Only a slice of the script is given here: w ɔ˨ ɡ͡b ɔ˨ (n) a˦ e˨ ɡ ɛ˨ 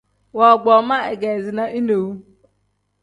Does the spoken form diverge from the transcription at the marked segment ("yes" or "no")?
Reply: yes